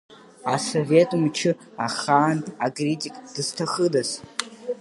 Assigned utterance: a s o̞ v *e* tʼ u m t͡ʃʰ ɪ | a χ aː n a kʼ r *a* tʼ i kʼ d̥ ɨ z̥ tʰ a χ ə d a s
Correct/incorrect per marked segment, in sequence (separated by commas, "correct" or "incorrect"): correct, incorrect